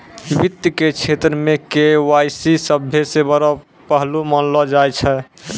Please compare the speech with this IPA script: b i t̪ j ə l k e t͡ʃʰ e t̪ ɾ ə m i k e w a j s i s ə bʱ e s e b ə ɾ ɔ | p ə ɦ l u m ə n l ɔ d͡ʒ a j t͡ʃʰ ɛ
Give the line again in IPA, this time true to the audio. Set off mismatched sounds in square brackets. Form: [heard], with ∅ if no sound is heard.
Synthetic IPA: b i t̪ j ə [∅] k e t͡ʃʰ e t̪ ɾ ə m [e] k e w a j s i s ə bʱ e s e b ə ɾ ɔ | p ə ɦ l u m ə n l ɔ d͡ʒ a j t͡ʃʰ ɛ